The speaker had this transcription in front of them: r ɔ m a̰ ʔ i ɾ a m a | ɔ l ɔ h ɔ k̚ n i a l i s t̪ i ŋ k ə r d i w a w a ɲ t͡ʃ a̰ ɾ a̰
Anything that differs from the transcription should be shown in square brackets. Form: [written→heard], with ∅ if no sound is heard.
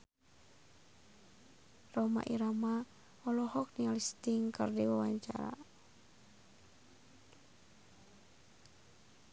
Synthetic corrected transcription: r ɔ m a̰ ʔ i ɾ a m a | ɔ l ɔ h ɔ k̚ n i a l i s t̪ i ŋ k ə r d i w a w a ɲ t͡ʃ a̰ ɾ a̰